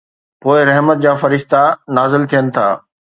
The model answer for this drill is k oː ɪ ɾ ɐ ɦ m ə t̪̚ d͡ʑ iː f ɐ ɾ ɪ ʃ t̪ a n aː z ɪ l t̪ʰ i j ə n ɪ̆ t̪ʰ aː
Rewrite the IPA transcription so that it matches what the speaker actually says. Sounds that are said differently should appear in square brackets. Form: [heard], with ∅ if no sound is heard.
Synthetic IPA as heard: [p] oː ɪ ɾ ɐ ɦ m ə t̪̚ d͡ʑ [aː] f ɐ ɾ ɪ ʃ t̪ a n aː z ɪ l t̪ʰ i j ə n ɪ̆ t̪ʰ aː